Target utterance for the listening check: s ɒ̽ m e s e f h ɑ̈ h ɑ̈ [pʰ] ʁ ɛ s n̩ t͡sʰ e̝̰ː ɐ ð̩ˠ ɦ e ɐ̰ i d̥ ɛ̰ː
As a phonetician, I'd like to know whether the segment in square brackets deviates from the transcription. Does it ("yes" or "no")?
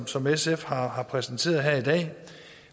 no